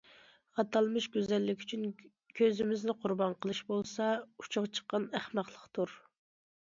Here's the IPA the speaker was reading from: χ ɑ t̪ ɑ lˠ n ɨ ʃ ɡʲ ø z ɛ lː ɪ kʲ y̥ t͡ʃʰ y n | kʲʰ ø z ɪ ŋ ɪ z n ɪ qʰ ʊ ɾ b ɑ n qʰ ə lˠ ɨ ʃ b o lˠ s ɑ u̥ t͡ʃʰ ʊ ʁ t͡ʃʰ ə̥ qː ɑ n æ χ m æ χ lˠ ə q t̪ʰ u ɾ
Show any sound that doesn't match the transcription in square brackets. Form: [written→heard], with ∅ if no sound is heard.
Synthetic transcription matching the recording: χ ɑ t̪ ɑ lˠ [n→m] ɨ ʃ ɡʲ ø z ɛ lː ɪ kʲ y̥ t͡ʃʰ y n | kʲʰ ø z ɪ [ŋ→m] ɪ z n ɪ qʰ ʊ ɾ b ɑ n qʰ ə lˠ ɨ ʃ b o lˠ s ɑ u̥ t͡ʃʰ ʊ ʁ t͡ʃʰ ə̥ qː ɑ n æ χ m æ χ lˠ ə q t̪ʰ u ɾ